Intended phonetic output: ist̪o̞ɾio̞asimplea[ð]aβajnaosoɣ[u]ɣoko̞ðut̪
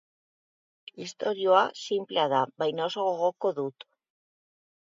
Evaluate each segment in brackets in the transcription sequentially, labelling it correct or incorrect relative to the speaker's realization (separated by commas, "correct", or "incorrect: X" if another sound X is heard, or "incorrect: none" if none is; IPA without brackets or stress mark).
correct, incorrect: o